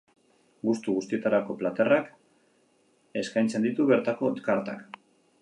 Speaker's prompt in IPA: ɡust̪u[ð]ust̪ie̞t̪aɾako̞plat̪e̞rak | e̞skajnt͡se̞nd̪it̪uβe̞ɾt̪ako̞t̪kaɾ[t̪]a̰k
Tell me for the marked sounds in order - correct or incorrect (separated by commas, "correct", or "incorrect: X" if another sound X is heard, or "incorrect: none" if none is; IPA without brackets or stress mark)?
incorrect: ɣ, correct